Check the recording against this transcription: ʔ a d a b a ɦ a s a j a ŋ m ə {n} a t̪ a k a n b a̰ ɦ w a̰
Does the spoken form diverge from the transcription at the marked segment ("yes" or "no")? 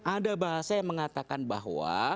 yes